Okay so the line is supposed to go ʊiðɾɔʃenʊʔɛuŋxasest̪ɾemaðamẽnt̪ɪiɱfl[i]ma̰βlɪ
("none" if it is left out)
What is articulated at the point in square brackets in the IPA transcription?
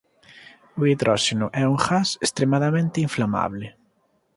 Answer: a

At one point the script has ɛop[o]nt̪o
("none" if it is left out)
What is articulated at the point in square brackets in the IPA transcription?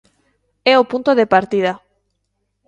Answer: u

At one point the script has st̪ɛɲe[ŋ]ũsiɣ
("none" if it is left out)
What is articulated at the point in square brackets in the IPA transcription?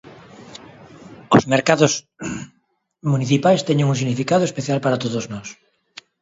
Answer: ŋ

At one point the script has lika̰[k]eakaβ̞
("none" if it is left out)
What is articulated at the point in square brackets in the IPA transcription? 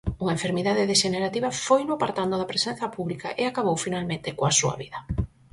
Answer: ʔ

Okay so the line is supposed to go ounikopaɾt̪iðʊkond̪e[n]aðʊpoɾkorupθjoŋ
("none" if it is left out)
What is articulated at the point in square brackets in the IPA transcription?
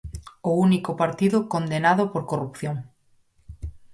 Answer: n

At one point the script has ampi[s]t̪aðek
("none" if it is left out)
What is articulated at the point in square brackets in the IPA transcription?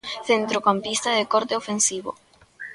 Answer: s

